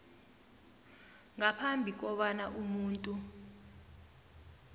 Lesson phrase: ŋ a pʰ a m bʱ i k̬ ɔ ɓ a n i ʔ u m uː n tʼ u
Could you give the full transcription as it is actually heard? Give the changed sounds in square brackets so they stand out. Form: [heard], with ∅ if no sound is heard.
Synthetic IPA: ŋ a pʰ a m bʱ i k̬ ɔ ɓ a n [a] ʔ u m uː n tʼ u